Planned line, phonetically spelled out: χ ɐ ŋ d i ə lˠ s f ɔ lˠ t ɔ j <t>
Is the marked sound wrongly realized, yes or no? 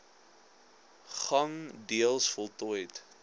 no